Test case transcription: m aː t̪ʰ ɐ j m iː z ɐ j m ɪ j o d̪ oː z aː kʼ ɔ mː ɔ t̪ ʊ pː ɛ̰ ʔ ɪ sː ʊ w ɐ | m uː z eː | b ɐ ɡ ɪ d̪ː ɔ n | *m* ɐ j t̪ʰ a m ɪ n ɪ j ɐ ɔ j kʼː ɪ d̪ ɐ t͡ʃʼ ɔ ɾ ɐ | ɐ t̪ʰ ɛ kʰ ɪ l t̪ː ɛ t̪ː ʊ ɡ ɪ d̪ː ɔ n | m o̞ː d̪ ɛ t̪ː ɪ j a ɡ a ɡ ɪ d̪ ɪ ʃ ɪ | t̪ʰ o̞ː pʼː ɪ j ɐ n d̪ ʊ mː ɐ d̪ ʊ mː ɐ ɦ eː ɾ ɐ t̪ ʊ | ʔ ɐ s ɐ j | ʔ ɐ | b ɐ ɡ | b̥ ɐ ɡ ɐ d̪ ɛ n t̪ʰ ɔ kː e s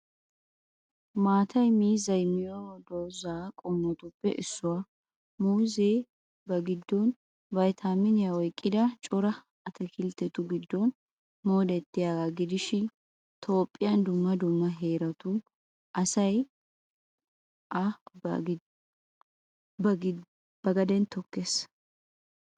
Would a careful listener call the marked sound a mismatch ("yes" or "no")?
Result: yes